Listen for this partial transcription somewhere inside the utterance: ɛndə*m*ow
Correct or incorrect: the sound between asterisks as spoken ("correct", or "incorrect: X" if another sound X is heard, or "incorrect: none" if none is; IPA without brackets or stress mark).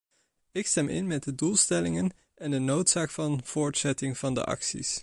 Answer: incorrect: n